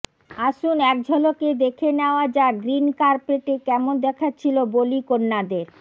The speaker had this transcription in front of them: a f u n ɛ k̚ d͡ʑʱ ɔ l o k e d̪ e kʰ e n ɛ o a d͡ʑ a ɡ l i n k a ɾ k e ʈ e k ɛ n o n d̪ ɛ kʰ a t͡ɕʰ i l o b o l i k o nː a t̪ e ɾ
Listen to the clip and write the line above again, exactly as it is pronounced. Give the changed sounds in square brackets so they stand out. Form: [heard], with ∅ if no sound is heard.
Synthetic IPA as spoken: a [ʃ] u n ɛ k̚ d͡ʑʱ ɔ l o k e d̪ e kʰ e n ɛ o a d͡ʑ a ɡ [ɾ] i n k a ɾ [p] e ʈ e k ɛ [m] o n d̪ ɛ kʰ a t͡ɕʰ i l o b o l i k o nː a [d̪] e ɾ